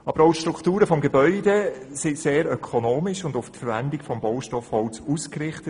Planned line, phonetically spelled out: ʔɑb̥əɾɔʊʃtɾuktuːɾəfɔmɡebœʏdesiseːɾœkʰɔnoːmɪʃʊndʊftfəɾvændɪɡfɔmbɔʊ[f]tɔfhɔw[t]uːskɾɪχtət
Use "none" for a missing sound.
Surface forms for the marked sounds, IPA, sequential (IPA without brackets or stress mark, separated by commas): ʃ, t͡s